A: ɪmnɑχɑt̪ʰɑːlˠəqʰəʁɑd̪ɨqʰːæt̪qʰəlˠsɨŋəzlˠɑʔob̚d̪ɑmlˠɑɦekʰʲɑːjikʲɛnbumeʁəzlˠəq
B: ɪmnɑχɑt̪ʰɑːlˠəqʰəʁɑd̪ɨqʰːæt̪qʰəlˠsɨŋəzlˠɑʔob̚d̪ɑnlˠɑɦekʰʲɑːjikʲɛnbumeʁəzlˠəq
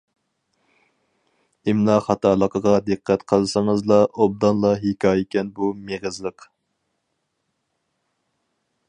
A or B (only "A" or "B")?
B